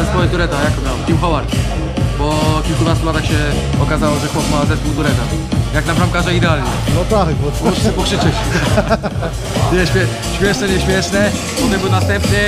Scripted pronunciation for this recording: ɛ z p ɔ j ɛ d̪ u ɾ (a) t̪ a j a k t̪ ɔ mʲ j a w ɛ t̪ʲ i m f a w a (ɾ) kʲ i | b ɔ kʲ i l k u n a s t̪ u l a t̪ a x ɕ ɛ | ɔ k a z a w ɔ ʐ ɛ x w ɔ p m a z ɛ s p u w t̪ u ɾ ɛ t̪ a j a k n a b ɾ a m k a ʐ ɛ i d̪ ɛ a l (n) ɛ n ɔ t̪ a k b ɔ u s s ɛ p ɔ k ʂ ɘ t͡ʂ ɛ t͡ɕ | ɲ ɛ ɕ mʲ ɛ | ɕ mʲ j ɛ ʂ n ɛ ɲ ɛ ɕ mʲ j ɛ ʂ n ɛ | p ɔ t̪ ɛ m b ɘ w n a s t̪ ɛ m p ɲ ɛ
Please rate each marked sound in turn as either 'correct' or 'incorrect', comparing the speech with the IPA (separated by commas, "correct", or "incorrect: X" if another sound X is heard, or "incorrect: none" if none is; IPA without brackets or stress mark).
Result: incorrect: ɛ, correct, incorrect: ɲ